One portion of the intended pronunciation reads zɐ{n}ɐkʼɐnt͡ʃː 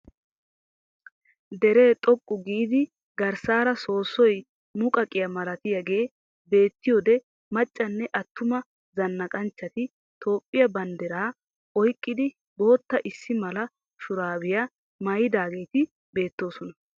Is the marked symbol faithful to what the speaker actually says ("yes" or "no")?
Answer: no